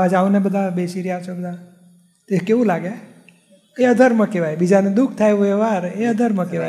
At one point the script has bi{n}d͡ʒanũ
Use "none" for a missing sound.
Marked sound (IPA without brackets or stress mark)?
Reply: none